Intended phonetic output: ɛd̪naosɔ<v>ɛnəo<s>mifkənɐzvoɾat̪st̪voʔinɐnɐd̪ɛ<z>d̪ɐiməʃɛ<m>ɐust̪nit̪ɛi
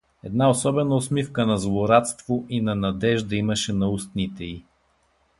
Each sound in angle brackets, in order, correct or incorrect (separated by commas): incorrect, correct, incorrect, incorrect